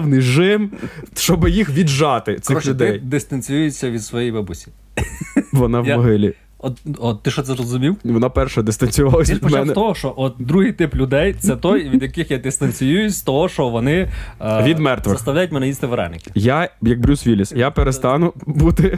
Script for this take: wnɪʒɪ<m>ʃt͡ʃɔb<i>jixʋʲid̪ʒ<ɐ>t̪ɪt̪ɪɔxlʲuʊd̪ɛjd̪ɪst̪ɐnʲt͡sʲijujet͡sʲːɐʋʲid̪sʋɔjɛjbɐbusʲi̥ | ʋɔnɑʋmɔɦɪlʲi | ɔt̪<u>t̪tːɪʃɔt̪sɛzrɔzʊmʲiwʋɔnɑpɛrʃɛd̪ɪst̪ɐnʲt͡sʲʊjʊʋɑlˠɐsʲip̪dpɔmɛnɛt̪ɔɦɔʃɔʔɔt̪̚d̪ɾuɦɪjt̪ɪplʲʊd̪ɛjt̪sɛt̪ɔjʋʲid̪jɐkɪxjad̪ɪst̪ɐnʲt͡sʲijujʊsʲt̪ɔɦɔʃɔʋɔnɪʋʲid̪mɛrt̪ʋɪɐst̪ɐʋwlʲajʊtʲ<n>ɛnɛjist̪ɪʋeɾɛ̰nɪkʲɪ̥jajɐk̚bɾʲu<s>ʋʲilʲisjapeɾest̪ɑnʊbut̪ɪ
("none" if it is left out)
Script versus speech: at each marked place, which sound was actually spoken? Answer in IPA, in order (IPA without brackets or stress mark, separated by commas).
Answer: m, ɪ, ɑ, ɔ, m, s